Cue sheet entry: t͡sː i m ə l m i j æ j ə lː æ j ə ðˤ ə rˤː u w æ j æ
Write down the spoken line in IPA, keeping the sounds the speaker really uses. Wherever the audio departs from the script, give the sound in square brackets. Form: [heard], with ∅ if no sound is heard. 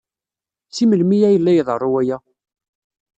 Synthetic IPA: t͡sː i m ə l m i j æ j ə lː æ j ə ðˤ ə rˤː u w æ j æ